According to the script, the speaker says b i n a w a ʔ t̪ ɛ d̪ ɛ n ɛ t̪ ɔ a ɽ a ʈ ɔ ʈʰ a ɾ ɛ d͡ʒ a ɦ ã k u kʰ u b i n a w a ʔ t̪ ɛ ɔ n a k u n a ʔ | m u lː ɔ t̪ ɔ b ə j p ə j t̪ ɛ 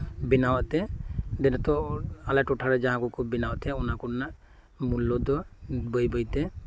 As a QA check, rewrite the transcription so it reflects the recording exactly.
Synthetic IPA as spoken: b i n a w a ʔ t̪ ɛ d̪ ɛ n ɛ t̪ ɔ a l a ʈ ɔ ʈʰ a ɾ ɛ d͡ʒ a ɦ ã k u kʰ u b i n a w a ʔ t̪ ɛ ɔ n a k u n a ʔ | m u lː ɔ d̪ ɔ b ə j b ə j t̪ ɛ